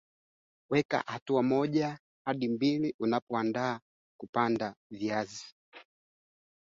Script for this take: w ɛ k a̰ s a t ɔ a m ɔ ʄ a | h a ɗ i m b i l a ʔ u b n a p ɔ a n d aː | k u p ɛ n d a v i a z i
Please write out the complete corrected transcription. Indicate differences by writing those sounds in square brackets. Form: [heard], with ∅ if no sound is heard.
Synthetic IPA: w ɛ k a̰ [h] a t [u] a m ɔ ʄ a | h a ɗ i m b i l [i] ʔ u [∅] n a p ɔ a n d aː | k u p [a] n d a v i a z i